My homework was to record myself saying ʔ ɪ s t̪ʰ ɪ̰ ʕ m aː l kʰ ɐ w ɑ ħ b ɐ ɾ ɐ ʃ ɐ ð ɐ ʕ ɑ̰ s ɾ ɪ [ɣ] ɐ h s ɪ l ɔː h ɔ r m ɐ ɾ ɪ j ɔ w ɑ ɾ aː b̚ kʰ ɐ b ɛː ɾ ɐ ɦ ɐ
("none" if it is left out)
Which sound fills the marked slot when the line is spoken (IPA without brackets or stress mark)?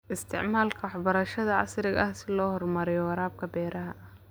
ɣ